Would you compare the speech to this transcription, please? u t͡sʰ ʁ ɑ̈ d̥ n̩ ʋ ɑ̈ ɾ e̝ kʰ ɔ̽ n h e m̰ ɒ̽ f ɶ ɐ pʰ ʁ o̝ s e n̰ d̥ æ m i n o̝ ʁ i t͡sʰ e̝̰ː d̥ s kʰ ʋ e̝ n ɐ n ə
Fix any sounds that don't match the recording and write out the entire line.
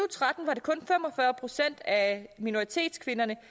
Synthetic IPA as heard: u t͡sʰ ʁ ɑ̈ d̥ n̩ ʋ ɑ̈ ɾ e̝ kʰ ɔ̽ n f e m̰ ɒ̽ f ɶ ɐ pʰ ʁ o̝ s e n̰ d̥ æ m i n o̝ ʁ i t͡sʰ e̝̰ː d̥ s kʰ ʋ e̝ n ɐ n ə